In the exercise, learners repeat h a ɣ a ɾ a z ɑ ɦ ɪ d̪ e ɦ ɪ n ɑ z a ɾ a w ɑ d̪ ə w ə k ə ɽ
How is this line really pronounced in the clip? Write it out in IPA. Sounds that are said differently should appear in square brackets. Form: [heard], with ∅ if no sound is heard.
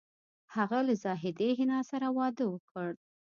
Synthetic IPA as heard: h a ɣ a [l] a z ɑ ɦ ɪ d̪ e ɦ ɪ n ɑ [s] a ɾ a w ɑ d̪ ə w ə k ə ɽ